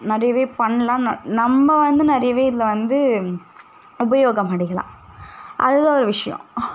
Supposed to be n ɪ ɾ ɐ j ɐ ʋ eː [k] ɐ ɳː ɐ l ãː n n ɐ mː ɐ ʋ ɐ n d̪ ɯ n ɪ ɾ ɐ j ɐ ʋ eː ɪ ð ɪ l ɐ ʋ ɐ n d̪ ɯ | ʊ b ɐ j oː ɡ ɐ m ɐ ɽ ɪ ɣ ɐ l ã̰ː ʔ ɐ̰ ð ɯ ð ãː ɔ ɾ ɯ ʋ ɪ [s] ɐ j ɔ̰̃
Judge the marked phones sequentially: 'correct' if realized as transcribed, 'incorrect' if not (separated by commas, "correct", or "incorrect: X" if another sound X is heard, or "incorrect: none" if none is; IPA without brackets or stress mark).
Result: incorrect: p, incorrect: ʂ